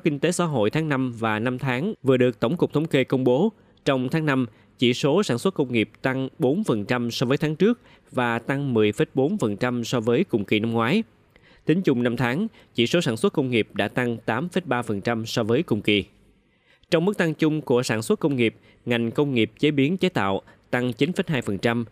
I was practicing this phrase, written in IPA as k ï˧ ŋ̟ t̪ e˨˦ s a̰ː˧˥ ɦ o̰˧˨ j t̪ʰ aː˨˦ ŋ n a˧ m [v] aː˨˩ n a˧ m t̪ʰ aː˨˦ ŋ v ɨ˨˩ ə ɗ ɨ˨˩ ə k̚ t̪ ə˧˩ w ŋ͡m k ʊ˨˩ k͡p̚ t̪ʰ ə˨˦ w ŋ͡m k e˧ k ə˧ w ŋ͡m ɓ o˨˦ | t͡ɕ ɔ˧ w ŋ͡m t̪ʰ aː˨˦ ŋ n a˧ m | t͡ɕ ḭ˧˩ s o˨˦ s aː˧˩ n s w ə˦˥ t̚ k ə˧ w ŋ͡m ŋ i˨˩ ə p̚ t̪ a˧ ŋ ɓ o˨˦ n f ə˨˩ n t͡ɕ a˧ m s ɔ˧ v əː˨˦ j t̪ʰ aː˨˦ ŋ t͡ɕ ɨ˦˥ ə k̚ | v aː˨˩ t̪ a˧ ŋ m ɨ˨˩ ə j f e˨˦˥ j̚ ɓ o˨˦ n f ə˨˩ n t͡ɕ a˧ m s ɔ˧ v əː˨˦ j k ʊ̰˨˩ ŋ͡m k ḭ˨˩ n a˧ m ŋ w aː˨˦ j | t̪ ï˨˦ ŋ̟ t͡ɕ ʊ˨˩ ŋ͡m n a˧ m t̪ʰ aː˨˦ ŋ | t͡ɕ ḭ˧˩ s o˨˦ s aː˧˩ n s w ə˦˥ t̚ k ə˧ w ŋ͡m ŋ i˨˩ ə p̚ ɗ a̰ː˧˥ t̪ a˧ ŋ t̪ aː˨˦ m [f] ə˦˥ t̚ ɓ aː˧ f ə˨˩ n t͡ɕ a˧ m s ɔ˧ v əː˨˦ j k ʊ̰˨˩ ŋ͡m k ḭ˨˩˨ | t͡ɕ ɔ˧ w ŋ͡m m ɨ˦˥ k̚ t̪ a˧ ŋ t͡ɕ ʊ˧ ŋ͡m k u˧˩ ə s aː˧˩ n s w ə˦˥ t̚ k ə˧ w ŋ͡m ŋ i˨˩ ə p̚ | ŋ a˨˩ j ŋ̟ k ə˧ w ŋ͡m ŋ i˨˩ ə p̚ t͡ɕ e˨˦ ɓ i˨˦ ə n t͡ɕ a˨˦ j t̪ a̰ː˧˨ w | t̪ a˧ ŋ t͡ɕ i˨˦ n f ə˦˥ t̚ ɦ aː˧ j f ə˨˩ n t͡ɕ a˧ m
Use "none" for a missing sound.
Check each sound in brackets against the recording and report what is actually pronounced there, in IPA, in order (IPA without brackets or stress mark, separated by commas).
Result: v, f